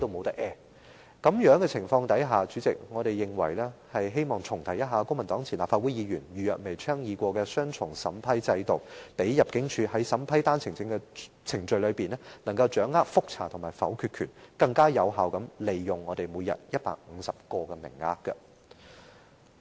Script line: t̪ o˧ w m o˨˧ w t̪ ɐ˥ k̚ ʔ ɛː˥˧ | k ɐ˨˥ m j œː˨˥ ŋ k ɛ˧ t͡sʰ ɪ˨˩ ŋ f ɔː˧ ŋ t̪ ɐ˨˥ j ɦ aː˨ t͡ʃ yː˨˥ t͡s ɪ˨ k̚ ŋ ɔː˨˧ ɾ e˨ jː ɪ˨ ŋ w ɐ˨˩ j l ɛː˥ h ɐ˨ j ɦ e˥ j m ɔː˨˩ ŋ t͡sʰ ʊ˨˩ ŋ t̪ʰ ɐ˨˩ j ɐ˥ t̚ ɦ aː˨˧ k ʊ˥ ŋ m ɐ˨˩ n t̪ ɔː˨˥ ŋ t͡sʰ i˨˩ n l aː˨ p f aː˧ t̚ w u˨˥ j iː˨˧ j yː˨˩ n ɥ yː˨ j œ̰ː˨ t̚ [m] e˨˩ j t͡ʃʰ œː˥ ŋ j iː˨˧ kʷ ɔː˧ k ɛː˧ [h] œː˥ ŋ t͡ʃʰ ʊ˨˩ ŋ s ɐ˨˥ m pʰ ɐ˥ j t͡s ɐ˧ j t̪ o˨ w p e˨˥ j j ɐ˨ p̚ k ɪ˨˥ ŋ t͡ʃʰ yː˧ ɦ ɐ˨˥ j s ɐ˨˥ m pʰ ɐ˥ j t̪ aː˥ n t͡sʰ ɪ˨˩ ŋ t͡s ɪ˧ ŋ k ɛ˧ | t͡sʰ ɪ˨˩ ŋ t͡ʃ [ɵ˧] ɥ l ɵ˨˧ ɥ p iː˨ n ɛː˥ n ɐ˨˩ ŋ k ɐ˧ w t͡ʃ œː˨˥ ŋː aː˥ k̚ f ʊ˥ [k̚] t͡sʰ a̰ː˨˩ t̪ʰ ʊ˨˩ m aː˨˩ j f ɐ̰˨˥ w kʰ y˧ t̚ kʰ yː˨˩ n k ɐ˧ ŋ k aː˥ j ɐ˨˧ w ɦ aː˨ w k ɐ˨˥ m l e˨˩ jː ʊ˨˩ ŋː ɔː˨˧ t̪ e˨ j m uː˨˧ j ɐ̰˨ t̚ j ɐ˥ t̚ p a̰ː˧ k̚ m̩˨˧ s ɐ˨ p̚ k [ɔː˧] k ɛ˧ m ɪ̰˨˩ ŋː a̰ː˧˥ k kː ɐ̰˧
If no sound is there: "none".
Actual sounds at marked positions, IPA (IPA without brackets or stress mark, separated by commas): m, s, ɵ˧, k̚, ɔː˧